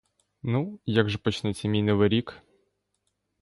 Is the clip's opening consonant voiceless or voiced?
voiced